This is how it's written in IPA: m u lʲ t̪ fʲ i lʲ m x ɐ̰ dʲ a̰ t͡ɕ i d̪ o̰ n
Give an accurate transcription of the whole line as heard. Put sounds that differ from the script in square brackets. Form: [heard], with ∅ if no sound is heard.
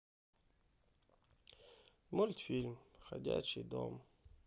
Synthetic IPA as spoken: m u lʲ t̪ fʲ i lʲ m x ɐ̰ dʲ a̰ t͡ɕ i d̪ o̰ [m]